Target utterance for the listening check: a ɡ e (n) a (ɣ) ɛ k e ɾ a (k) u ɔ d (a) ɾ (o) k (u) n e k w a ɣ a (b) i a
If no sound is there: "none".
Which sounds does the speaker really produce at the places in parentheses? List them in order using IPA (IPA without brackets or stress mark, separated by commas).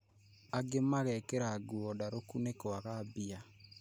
m, ɣ, ɡ, a, o, u, b